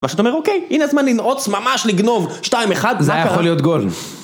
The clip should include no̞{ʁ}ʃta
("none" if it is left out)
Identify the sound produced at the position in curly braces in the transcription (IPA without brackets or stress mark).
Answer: v